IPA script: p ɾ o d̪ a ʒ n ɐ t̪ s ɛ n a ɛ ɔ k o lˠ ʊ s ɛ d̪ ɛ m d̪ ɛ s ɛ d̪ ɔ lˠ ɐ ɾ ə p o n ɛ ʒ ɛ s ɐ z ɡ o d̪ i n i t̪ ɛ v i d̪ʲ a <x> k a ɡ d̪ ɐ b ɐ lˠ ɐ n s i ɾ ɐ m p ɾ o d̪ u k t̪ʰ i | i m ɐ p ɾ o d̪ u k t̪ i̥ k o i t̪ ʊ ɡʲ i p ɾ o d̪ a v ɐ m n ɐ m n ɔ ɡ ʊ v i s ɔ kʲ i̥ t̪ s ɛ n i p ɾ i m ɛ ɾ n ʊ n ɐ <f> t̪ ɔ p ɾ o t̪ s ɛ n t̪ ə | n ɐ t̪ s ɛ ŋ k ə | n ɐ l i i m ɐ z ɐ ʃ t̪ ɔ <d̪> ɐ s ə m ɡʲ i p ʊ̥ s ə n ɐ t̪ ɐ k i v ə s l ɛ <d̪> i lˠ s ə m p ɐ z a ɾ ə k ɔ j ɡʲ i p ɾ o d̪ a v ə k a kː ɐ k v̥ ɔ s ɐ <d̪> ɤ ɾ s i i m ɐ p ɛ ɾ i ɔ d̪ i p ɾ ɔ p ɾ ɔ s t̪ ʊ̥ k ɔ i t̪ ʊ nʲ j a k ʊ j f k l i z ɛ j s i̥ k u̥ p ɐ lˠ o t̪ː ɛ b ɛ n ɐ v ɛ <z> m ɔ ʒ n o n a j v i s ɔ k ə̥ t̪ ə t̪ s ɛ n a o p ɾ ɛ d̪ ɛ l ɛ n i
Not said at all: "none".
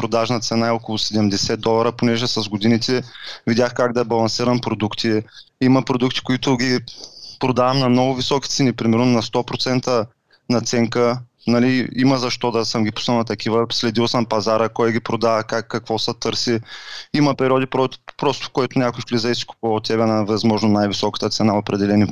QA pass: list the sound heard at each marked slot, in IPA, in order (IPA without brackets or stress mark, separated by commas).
x, s, d̪, d̪, t̪, z